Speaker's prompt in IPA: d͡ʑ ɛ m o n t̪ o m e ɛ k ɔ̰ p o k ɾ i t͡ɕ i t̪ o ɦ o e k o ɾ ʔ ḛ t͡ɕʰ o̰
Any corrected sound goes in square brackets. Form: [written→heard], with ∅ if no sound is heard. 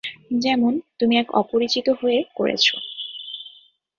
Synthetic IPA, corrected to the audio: d͡ʑ ɛ m o n t̪ [o→u] m [e→i] ɛ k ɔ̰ p o [k→∅] ɾ i t͡ɕ i t̪ o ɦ o e k o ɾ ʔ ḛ t͡ɕʰ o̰